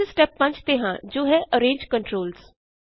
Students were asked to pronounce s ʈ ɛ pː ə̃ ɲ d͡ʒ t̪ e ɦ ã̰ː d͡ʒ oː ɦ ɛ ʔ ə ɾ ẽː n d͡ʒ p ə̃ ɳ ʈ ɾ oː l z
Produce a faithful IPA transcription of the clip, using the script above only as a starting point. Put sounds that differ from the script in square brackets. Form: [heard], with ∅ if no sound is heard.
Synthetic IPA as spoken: s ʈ ɛ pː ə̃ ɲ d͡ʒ t̪ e ɦ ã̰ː d͡ʒ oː ɦ ɛ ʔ ə ɾ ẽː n d͡ʒ [k] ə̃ ɳ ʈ ɾ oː l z